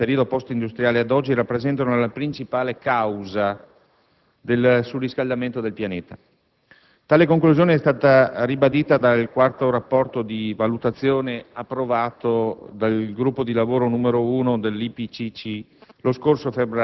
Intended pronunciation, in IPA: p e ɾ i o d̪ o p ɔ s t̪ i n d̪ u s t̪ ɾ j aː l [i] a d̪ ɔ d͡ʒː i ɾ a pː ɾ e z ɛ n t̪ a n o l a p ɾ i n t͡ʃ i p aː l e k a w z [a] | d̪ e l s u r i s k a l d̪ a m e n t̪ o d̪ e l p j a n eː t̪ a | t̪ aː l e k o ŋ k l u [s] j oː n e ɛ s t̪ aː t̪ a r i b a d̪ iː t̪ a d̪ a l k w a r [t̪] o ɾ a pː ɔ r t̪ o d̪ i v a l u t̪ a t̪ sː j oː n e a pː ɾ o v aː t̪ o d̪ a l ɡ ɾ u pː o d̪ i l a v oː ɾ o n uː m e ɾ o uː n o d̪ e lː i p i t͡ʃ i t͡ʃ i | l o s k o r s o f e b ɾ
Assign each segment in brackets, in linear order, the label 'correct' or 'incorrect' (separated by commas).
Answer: incorrect, correct, incorrect, correct